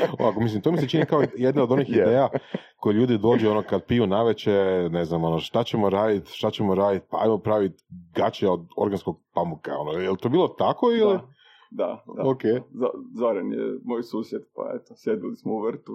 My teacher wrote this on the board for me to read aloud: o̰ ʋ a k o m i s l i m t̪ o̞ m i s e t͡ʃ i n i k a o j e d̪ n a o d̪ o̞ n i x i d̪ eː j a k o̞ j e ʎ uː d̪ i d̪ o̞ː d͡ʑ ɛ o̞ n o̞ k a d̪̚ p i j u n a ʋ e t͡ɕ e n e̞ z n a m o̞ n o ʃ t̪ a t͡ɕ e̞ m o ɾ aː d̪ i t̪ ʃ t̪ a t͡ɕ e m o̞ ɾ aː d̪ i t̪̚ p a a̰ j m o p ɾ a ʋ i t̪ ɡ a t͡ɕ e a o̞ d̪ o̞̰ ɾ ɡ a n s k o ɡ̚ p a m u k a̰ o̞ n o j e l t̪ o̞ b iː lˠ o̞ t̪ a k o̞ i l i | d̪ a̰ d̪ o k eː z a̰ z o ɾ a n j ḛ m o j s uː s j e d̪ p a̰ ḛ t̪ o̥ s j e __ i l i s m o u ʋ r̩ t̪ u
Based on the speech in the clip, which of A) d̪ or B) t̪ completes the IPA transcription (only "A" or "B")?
A